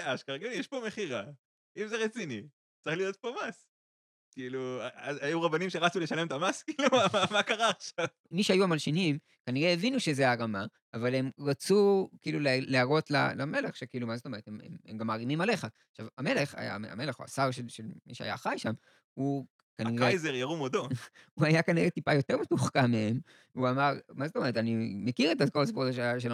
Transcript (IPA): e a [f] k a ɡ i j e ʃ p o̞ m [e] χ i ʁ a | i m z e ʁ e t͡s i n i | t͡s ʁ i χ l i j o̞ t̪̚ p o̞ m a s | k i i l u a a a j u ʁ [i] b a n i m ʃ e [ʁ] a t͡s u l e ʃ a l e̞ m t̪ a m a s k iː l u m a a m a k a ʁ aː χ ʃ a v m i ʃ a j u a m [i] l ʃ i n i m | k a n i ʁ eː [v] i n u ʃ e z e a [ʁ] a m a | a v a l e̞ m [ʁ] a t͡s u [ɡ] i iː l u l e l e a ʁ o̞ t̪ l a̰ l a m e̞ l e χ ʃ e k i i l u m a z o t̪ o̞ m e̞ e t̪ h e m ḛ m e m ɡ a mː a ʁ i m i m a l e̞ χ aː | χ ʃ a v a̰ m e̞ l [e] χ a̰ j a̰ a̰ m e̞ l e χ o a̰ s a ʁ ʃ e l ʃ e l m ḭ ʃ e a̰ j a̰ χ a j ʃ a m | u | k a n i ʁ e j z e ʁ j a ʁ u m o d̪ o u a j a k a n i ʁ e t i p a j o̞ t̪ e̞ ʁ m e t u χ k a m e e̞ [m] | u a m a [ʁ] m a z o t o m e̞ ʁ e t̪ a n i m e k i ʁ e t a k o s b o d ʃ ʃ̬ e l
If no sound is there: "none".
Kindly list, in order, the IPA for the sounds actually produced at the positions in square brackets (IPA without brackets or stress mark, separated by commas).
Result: ʃ, e, a, ʁ, a, v, ʁ, ʁ, k, e, m, ʁ